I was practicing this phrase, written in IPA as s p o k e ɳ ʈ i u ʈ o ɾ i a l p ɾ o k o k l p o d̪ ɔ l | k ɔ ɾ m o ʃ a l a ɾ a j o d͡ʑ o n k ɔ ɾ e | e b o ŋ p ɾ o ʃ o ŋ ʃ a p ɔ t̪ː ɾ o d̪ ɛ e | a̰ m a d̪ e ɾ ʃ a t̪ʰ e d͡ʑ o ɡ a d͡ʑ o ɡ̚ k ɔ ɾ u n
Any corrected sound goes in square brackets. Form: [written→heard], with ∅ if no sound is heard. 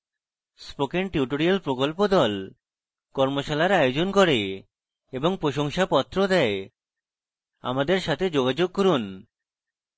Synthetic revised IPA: s p o k e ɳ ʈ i u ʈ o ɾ i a l p ɾ o k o [k→∅] l p o d̪ ɔ l | k ɔ ɾ m o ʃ a l a ɾ a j o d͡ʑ o n k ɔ ɾ e | e b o ŋ p ɾ o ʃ o ŋ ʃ a p ɔ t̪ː ɾ o d̪ ɛ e | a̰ m a d̪ e ɾ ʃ a t̪ʰ e d͡ʑ o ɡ a d͡ʑ o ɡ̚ k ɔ ɾ u n